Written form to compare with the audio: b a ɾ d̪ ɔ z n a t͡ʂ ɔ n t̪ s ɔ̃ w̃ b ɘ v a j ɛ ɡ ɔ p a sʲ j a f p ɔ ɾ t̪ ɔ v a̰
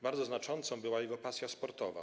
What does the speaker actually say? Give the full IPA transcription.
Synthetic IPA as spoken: b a ɾ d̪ ɔ z n a t͡ʂ ɔ n t̪ s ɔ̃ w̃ b ɘ w a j ɛ ɡ ɔ p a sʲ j a s p ɔ ɾ t̪ ɔ v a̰